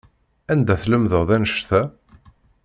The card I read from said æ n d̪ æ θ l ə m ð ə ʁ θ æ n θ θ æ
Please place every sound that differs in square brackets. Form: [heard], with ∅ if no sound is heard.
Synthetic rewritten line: æ n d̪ æ θ l ə m ð ə ʁ [ð] æ n [ʃ] θ æ